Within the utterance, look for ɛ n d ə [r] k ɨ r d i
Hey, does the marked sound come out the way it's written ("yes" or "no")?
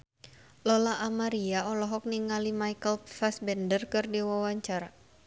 yes